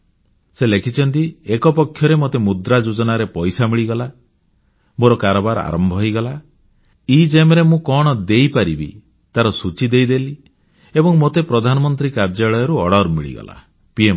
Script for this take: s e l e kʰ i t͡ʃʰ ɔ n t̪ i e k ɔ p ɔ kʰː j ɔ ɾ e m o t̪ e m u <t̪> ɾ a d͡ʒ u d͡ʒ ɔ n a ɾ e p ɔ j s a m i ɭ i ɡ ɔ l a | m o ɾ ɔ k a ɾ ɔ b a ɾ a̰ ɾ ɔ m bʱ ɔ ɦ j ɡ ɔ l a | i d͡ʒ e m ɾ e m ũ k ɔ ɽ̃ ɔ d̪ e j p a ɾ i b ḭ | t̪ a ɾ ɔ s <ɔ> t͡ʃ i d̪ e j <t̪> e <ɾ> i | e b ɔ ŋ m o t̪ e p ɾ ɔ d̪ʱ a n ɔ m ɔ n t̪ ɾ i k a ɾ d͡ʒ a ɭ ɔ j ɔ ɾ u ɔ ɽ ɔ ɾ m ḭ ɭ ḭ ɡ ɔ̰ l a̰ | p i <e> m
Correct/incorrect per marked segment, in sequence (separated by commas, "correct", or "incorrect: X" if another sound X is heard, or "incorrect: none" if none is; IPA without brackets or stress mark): incorrect: d̪, incorrect: u, incorrect: d̪, incorrect: l, correct